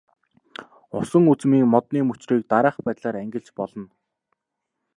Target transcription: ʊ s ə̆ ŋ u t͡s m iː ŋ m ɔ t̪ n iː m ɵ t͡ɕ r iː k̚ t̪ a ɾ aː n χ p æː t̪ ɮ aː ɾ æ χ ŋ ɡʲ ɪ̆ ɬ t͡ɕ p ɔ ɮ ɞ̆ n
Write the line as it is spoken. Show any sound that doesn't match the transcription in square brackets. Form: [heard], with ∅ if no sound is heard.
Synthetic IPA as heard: ʊ s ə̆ ŋ u t͡s m iː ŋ m ɔ t̪ n iː m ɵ t͡ɕ r iː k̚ t̪ a ɾ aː [∅] χ p æː t̪ ɮ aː ɾ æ [∅] ŋ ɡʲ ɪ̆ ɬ t͡ɕ p ɔ ɮ ɞ̆ n